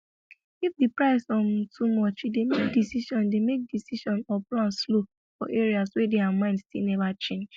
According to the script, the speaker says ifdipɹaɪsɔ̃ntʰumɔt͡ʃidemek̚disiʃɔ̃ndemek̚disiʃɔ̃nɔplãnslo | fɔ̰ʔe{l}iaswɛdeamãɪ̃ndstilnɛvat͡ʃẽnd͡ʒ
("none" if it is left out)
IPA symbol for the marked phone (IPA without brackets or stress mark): ɹ